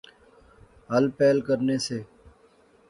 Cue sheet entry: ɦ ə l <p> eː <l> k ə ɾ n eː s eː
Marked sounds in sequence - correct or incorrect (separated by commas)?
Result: correct, correct